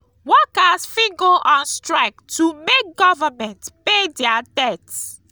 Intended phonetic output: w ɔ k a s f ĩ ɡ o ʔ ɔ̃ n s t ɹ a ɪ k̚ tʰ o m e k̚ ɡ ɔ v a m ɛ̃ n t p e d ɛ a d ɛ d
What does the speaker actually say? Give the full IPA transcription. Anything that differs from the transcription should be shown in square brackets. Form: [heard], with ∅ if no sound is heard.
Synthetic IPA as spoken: w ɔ k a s f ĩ ɡ o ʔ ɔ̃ n s t ɹ a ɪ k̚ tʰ [u] m e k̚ ɡ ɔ v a m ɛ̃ n t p e d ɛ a d ɛ [t]